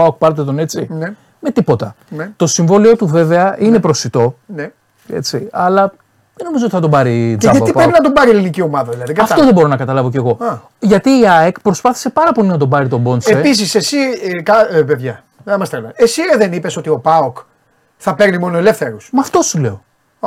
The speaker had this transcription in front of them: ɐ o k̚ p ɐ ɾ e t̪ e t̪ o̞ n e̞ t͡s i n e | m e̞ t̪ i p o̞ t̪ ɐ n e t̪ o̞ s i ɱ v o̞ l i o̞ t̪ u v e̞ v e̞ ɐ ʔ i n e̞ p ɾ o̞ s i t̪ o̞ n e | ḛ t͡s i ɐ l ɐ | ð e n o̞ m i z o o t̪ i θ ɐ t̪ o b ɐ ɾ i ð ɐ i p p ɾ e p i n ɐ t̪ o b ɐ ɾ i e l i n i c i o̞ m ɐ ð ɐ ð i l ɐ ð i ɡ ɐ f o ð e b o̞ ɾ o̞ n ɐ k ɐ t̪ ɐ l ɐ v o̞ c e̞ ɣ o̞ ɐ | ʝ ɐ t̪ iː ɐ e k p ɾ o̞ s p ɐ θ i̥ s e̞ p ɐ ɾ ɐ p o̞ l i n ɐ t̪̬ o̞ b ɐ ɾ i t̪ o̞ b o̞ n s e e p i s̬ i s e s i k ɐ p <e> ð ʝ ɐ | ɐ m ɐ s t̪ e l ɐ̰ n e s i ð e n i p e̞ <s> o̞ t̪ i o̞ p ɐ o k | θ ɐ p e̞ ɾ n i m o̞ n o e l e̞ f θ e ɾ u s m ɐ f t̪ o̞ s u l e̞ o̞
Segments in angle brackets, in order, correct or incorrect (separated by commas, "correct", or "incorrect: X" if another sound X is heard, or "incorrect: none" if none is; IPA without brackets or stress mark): correct, correct